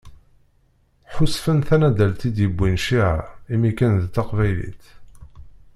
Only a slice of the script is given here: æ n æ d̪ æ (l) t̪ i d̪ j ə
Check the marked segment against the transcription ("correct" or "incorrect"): correct